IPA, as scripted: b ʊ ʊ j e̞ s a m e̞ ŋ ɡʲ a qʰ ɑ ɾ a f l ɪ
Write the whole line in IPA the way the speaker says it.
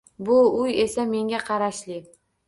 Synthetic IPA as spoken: b ʊ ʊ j e̞ s a m e̞ ŋ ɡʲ a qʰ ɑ ɾ a ʃ l ɪ